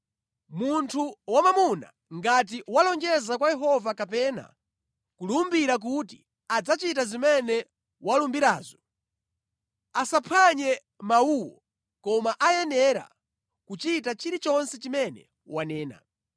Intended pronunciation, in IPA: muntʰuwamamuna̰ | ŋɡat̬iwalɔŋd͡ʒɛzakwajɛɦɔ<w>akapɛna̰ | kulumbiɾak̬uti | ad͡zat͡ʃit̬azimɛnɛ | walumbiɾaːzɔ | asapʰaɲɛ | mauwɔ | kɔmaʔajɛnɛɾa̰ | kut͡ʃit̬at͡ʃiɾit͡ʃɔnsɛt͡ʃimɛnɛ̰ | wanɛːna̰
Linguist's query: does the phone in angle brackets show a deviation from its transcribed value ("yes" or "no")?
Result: yes